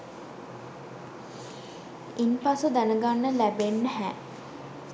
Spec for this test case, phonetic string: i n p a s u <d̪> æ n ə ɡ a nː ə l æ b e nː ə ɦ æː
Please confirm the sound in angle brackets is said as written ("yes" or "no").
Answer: yes